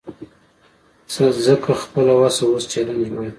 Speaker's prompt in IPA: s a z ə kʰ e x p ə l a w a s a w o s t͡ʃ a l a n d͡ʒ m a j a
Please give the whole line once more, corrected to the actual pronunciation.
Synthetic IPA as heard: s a z ə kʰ a x p ə l a w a s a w o s t͡ʃ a l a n d͡ʒ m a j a